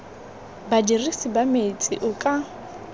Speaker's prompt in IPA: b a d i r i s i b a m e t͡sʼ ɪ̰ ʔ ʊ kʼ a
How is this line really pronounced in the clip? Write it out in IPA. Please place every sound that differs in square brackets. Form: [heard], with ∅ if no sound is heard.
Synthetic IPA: b a d i r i s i b a m e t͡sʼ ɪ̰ ʔ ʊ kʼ a